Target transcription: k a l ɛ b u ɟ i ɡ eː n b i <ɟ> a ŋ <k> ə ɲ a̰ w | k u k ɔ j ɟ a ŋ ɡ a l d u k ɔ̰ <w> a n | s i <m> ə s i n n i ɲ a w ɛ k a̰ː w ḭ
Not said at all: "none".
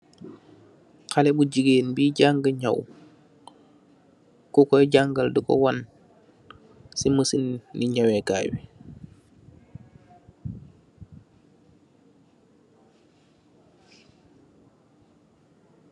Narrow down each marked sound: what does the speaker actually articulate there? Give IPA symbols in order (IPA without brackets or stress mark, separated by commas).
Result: ɟ, ɡ, w, m